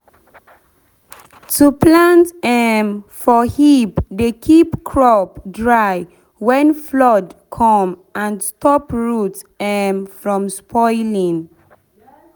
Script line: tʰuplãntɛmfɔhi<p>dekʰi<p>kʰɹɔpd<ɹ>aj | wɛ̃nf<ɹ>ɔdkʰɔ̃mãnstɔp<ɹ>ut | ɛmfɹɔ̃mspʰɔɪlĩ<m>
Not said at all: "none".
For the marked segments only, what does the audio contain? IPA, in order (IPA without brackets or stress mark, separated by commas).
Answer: p, p, ɹ, l, ɹ, ŋ